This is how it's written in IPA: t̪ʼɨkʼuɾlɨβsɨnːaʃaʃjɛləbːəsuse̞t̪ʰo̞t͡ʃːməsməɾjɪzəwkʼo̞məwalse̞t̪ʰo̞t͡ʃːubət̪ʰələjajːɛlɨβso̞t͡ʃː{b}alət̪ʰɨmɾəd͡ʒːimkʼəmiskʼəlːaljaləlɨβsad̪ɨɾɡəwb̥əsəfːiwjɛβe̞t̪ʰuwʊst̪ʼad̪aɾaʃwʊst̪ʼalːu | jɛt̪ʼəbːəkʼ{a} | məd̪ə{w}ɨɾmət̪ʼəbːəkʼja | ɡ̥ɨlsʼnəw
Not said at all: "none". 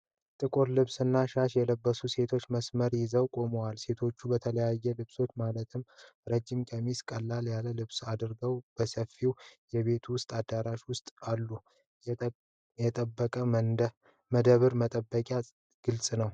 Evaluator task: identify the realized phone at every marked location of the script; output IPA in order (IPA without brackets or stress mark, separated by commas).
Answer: m, ə, β